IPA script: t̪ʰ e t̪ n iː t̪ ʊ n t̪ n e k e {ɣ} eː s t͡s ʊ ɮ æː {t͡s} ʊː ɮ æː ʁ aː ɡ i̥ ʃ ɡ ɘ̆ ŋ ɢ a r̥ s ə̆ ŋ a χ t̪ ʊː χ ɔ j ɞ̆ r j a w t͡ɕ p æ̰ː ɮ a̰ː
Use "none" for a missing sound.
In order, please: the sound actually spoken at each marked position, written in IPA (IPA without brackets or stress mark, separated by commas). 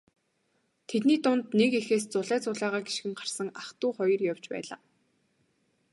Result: x, t͡s